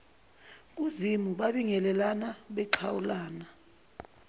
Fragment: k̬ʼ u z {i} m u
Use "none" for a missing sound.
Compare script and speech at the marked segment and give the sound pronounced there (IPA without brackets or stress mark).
i